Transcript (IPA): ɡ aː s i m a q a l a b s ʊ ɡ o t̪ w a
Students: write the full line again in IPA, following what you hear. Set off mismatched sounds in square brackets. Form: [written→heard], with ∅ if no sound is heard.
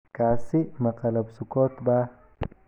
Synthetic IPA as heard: [ɡ→k] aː s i m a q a l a b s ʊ [ɡ→k] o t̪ [w→b] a